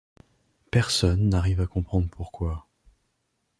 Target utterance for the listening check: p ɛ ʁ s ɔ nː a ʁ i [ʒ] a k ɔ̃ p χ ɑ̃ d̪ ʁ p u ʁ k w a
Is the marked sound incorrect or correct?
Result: incorrect